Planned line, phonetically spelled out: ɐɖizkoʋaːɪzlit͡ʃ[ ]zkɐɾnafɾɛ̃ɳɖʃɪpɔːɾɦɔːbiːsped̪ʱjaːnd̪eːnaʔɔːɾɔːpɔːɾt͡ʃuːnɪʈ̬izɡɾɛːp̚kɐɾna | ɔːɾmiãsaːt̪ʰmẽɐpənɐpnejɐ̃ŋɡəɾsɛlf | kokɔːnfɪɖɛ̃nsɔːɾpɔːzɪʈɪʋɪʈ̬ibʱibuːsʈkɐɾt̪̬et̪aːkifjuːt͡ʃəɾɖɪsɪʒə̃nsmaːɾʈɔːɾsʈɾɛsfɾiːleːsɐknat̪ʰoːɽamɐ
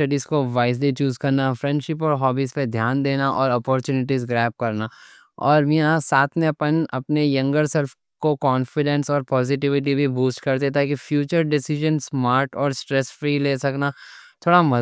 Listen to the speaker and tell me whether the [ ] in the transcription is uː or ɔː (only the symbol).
uː